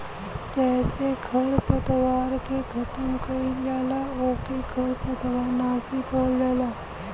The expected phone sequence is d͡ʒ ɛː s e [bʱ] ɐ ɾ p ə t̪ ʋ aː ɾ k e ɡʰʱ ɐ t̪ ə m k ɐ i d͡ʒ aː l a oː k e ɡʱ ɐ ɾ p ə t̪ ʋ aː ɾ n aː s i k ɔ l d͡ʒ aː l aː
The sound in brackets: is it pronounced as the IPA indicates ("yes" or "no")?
no